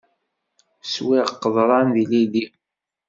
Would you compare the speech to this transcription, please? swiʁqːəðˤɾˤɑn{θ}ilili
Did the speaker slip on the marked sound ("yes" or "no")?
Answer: yes